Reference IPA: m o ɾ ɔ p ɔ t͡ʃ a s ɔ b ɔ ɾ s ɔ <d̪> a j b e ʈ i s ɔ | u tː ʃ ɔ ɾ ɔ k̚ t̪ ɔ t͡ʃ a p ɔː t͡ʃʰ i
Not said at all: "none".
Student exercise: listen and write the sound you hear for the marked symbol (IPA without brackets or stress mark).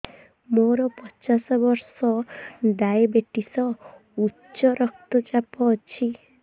d̪